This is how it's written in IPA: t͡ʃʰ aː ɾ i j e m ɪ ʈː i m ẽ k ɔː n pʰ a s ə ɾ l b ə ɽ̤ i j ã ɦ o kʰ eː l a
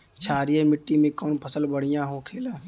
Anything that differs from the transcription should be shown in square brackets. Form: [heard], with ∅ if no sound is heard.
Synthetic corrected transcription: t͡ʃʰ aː ɾ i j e m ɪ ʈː i m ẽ k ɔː n pʰ [ə] s ə [∅] l b ə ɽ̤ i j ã ɦ o kʰ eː l a